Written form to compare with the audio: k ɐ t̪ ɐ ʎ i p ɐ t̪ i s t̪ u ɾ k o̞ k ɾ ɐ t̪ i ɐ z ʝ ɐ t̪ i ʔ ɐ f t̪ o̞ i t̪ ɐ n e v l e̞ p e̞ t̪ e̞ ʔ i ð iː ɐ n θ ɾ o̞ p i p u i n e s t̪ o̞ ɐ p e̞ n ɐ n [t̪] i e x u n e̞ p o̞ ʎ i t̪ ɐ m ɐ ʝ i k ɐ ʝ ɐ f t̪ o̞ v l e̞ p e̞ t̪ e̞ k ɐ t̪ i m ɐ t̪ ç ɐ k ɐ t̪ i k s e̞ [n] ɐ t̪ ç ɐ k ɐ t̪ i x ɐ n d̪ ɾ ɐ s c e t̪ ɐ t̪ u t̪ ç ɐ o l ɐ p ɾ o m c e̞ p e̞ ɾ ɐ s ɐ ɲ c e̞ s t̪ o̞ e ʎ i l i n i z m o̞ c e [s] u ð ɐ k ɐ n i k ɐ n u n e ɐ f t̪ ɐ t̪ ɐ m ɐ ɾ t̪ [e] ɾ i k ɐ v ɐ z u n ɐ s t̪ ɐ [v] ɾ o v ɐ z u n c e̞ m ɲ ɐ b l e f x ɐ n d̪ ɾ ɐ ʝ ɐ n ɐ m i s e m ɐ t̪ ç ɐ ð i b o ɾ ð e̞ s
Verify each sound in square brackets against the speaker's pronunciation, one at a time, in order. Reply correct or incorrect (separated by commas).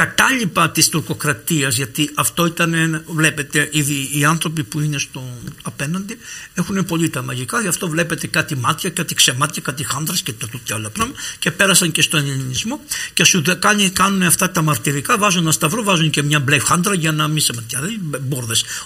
incorrect, incorrect, correct, incorrect, correct